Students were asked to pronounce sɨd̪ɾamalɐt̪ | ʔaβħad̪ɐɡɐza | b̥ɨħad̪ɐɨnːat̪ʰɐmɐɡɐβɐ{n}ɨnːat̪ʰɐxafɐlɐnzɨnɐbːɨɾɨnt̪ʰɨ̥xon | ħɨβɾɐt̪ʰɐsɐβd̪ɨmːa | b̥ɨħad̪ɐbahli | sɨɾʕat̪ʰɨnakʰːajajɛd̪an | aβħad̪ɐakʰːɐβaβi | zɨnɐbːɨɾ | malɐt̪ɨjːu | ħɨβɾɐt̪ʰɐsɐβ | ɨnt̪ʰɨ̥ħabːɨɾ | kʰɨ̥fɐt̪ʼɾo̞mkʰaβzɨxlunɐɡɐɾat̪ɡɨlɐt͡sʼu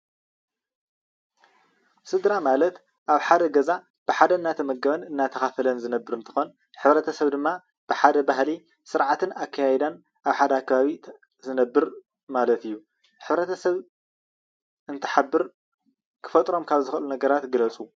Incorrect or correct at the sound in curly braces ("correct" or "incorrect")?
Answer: correct